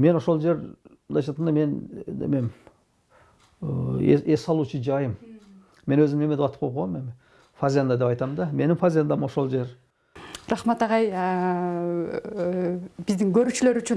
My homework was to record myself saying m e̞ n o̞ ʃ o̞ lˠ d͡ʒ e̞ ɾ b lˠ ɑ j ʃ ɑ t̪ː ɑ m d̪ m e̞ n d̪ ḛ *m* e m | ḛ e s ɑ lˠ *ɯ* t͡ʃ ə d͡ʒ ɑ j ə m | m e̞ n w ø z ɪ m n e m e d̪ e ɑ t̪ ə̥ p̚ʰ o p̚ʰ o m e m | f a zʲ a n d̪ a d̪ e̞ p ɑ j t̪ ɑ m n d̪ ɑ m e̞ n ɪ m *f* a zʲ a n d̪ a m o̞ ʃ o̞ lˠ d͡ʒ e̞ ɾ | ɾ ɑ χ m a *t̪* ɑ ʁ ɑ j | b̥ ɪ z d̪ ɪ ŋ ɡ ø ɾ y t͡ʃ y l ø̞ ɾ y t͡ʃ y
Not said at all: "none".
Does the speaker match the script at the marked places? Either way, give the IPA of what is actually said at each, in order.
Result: m, u, f, t̪

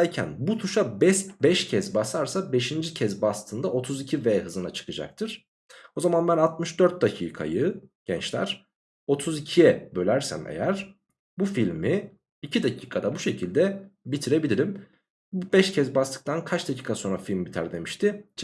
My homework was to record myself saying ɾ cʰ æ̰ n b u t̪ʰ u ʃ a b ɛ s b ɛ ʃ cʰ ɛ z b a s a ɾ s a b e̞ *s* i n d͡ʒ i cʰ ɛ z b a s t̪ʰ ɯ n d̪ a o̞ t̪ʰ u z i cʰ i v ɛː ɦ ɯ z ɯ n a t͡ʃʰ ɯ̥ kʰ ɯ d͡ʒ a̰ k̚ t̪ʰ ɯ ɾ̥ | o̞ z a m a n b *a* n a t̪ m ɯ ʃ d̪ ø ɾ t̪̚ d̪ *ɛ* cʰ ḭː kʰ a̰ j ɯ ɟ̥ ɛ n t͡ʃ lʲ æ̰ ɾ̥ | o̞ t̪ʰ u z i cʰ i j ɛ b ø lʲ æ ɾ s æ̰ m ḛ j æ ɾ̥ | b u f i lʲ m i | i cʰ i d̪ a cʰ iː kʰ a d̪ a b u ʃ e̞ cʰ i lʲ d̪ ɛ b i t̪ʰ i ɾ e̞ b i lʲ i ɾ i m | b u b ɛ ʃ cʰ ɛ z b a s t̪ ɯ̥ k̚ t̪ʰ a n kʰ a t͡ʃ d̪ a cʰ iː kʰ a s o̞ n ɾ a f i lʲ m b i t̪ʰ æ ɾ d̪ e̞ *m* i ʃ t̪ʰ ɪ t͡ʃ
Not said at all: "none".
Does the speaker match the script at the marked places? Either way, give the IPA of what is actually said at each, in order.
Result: ʃ, æ, a, m

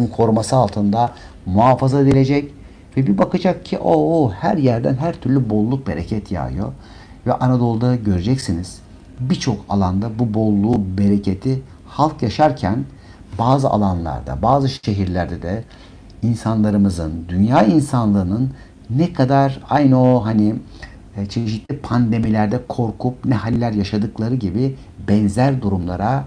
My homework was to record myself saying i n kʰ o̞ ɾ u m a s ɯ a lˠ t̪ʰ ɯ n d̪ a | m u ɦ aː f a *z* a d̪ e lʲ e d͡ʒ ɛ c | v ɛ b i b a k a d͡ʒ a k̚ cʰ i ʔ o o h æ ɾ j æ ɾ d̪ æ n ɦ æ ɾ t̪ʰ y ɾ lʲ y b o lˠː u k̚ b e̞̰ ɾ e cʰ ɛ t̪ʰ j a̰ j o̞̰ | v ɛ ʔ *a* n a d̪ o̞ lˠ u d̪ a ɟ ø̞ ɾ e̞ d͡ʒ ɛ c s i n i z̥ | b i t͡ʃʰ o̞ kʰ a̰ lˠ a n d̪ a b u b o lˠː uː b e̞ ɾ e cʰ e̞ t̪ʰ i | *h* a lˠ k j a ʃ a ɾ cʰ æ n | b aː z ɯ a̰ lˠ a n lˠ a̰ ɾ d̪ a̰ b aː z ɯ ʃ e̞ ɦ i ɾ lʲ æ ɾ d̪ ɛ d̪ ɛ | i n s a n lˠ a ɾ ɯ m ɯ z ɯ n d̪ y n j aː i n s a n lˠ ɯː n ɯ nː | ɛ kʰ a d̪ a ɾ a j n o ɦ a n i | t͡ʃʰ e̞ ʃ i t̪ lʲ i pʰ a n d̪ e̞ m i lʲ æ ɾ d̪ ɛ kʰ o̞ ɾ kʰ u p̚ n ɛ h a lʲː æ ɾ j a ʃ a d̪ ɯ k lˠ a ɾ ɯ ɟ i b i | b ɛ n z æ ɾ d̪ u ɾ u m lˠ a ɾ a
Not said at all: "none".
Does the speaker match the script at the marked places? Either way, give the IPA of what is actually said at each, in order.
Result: z, a, h

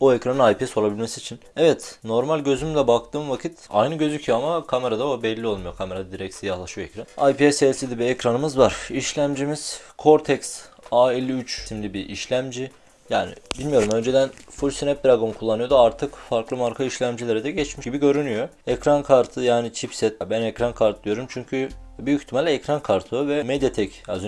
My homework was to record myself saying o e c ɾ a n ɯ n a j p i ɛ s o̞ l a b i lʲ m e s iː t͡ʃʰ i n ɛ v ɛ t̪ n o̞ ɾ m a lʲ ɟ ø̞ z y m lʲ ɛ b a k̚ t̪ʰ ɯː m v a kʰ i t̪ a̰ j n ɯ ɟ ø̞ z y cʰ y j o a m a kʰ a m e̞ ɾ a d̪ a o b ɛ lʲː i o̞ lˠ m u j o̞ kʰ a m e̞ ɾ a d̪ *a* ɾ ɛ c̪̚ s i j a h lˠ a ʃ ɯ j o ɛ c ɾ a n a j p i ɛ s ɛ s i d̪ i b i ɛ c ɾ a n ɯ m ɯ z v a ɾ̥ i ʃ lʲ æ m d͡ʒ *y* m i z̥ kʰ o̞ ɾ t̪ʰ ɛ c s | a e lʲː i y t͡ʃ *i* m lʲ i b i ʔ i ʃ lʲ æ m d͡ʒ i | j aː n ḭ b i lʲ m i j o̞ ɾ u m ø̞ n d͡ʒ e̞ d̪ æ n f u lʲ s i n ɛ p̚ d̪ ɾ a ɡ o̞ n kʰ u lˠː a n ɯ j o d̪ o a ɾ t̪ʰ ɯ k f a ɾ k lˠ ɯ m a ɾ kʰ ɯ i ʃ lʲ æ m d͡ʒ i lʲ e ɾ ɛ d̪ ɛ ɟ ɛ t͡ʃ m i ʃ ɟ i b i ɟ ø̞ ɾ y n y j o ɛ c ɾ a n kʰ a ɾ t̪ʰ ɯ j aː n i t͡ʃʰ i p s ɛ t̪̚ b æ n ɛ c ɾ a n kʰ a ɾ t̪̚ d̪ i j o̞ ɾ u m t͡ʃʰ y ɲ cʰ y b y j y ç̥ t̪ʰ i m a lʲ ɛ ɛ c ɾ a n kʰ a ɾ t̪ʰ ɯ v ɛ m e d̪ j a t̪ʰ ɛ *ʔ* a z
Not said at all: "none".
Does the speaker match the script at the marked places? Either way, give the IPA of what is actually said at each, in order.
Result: i, i, i, c

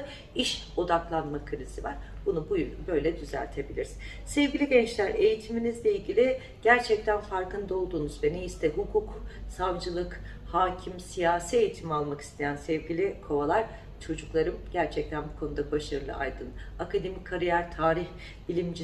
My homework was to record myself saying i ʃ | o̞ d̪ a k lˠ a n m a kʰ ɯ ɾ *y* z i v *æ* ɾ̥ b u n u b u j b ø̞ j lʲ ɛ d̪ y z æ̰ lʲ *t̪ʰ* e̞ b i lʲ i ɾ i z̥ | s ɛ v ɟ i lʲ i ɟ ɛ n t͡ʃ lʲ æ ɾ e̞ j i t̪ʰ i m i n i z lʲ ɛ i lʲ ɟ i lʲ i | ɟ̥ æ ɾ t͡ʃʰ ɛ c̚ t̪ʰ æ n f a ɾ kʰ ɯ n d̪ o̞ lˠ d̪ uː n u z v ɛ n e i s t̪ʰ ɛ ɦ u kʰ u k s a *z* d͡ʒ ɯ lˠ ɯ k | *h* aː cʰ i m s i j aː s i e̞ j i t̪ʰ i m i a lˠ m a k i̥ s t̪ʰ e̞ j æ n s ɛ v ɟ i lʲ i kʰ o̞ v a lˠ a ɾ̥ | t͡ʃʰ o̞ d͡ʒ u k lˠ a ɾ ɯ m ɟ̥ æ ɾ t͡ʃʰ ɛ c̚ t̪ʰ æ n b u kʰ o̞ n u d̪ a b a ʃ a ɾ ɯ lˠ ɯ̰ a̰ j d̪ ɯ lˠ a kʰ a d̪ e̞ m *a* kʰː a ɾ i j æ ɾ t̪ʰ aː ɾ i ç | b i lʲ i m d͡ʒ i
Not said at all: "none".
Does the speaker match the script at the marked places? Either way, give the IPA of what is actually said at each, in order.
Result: i, a, t̪ʰ, v, h, i

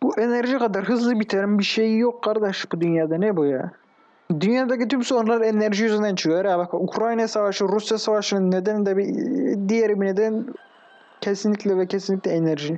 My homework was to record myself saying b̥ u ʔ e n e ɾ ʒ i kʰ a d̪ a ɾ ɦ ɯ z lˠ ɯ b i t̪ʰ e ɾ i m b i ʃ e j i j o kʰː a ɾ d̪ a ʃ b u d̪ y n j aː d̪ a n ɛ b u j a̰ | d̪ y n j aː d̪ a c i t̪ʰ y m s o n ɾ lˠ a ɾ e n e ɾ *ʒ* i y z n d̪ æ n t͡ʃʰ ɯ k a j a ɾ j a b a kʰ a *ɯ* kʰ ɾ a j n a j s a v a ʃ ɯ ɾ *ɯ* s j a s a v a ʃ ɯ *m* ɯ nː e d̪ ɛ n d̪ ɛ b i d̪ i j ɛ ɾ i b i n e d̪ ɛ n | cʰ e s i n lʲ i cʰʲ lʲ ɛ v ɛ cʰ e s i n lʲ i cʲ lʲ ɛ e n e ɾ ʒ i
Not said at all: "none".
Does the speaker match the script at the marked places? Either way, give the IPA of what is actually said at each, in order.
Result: ʒ, u, u, n

